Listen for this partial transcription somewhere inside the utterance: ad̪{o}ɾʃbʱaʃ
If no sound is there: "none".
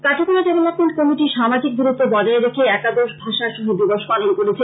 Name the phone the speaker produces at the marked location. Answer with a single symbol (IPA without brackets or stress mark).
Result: o